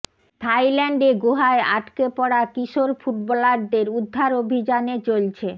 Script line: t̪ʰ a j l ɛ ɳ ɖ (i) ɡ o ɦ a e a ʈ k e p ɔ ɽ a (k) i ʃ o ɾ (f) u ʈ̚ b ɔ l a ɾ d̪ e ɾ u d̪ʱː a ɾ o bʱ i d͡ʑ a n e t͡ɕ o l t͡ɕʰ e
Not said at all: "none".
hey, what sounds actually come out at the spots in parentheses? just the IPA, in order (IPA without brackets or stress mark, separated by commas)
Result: e, k, f